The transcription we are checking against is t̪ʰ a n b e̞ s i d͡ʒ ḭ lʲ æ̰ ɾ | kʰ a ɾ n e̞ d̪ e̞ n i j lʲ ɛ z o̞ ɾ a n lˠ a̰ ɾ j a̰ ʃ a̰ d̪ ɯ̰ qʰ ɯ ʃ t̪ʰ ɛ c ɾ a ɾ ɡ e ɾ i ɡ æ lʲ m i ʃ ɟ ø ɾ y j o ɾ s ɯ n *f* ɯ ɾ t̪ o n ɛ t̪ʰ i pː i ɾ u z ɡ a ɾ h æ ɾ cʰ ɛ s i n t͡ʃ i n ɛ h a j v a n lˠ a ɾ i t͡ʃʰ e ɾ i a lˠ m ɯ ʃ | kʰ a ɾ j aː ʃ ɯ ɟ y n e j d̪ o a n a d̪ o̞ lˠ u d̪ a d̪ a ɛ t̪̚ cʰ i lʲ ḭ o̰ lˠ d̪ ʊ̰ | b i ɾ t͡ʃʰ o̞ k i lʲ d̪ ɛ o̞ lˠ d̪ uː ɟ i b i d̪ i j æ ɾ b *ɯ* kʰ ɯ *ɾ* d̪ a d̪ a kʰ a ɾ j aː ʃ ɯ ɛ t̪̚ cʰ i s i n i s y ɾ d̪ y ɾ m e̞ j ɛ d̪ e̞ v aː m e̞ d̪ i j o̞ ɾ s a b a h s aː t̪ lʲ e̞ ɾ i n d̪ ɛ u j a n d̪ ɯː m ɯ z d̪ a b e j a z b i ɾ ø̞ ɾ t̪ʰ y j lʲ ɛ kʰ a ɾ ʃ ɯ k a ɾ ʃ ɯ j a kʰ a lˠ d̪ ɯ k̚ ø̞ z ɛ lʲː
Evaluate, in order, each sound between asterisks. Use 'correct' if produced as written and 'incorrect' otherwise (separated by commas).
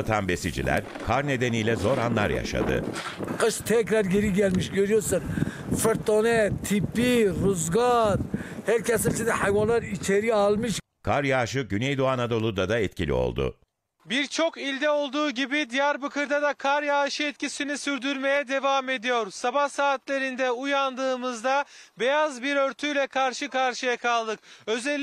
correct, correct, correct